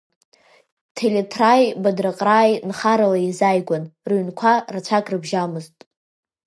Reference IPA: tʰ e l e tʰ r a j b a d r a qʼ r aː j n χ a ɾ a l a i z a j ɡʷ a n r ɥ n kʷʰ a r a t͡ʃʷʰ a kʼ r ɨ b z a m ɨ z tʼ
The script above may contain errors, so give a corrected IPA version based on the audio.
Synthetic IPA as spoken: tʰ e l e tʰ r a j b a d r a qʼ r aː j n χ a ɾ a l a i z a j ɡʷ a n r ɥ n kʷʰ a r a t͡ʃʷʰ a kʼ r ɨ b ʒ a m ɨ z tʼ